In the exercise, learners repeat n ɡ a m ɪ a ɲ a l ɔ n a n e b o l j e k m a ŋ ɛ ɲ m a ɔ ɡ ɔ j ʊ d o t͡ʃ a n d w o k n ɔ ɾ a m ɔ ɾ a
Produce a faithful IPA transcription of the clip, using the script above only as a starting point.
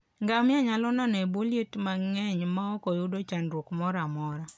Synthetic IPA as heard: ŋ ɡ a m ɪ a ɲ a l ɔ n a n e b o l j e t m a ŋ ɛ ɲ m a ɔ k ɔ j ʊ d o t͡ʃ a n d w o k m ɔ ɾ a m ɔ ɾ a